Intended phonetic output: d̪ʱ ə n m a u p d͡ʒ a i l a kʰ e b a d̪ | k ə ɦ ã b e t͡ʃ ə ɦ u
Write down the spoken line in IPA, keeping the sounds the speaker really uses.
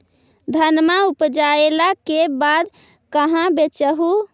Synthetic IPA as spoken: d̪ʱ ə n m a u p d͡ʒ a e l a k e b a d̪ | k ə ɦ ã b e t͡ʃ ə ɦ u